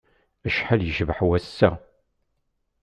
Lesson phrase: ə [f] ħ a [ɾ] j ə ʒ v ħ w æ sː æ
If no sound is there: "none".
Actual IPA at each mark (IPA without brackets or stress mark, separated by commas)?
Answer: ʃ, l